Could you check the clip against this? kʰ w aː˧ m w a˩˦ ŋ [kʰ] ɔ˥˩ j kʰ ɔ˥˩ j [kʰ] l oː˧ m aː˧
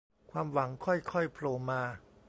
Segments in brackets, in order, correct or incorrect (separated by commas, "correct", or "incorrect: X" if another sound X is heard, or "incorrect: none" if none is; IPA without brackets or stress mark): correct, incorrect: pʰ